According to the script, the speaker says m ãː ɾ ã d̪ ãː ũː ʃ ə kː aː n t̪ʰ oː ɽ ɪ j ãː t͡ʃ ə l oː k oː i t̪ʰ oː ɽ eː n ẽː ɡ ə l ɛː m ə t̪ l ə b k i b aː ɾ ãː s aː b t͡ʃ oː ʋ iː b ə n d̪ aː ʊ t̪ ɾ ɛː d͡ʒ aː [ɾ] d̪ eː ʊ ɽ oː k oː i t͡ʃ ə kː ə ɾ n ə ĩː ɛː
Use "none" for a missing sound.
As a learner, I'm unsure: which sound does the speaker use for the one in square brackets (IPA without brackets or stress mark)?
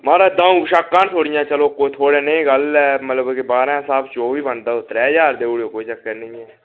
ɾ